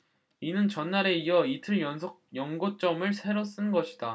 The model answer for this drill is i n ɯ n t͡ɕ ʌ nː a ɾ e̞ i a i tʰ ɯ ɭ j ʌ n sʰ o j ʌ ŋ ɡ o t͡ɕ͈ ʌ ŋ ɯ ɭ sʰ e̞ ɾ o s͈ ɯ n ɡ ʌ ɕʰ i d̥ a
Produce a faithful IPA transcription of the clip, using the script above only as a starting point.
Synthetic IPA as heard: i n ɯ n t͡ɕ ʌ nː a ɾ e̞ i ʌ i tʰ ɯ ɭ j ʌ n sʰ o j ʌ ŋ ɡ o t͡ɕ͈ ʌ m ɯ ɭ sʰ e̞ ɾ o s͈ ɯ n ɡ ʌ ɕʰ i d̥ a